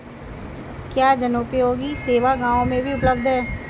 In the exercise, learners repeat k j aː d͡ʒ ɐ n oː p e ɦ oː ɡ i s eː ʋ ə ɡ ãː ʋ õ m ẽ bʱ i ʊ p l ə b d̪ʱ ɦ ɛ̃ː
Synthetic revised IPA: k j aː d͡ʒ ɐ n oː p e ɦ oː ɡ i s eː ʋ a ɡ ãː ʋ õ m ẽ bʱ i ʊ p l ə b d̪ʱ ɦ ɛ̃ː